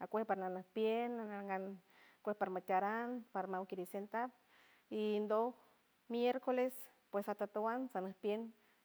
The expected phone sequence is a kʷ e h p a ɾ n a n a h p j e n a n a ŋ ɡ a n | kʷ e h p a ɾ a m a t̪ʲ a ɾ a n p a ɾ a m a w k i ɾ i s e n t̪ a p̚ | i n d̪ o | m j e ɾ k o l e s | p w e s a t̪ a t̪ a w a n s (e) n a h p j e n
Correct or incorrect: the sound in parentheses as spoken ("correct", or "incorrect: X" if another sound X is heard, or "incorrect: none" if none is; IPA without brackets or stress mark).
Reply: incorrect: a